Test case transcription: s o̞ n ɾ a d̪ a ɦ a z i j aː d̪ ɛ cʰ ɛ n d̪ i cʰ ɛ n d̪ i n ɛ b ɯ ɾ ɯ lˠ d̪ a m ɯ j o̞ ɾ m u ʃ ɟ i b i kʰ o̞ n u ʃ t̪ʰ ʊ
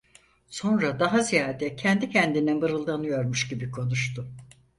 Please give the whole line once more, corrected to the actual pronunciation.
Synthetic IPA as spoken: s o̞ n ɾ a d̪ a ɦ a z i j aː d̪ ɛ cʰ ɛ n d̪ i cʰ ɛ n d̪ i n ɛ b ɯ ɾ ɯ lˠ d̪ a n ɯ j o̞ ɾ m u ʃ ɟ i b i kʰ o̞ n u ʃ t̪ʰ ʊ